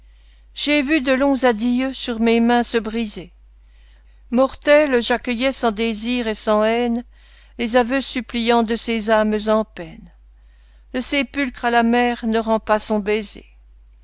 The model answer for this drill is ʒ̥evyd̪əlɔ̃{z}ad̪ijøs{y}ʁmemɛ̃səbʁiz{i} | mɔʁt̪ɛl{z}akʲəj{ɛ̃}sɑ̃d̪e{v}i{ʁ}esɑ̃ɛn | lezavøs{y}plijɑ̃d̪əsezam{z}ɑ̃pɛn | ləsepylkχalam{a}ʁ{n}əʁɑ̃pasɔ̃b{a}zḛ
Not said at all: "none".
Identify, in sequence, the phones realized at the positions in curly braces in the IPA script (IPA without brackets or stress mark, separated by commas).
z, y, e, ʒ, ɛ, z, ʁ, y, z, ɛ, n, e